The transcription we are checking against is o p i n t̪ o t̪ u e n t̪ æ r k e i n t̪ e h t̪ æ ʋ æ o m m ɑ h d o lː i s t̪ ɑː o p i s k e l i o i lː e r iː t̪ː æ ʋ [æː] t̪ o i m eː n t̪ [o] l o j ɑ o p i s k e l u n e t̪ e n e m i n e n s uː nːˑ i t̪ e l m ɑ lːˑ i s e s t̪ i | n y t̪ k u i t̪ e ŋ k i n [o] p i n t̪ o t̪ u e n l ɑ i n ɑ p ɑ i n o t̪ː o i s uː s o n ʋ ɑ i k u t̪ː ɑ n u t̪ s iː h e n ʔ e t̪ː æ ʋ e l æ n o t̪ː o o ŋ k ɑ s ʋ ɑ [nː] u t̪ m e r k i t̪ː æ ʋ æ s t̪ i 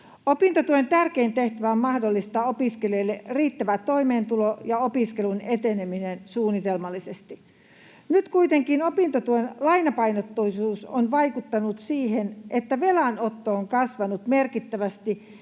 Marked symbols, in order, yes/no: no, no, yes, no

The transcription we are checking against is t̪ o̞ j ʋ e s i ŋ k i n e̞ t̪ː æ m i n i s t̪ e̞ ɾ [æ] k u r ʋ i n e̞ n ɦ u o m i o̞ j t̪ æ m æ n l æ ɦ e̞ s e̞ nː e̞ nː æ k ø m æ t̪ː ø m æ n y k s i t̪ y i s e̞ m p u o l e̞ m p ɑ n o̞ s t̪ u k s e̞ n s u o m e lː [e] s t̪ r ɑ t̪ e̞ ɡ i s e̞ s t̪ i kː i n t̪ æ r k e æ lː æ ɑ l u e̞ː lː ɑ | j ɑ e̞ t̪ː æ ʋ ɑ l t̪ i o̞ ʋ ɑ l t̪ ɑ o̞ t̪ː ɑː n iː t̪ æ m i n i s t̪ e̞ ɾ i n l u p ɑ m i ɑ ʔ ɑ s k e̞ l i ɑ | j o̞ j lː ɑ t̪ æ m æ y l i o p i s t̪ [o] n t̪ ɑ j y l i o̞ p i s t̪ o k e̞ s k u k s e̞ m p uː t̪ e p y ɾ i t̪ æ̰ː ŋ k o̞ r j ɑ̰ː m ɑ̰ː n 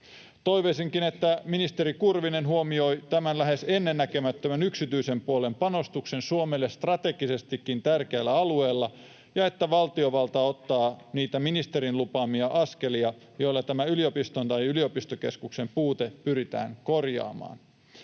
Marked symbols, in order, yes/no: no, yes, yes

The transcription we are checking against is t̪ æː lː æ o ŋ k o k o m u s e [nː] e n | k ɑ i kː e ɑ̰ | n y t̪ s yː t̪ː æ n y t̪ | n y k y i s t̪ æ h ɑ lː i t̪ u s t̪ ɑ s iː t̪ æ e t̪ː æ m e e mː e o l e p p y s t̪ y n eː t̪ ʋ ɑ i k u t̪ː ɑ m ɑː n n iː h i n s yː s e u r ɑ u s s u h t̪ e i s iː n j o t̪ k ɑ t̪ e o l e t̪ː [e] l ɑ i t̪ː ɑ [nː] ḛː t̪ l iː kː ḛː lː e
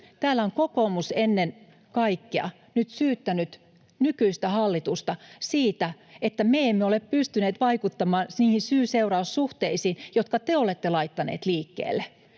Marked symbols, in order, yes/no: yes, yes, no

